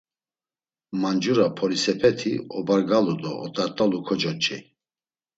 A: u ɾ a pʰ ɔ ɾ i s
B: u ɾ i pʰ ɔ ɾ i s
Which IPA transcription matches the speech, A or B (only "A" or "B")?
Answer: A